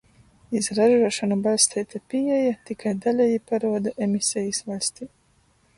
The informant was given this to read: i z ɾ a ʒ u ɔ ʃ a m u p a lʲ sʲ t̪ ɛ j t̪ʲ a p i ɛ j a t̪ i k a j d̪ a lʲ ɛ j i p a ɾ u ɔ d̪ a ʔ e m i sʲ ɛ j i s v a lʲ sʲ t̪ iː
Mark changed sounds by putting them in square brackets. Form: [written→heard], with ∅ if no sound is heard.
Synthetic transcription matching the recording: i z ɾ a ʒ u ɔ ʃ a [m→n] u [p→b] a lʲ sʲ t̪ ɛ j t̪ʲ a p i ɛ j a t̪ i k a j d̪ a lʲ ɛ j i p a ɾ u ɔ d̪ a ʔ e m i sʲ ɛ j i s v a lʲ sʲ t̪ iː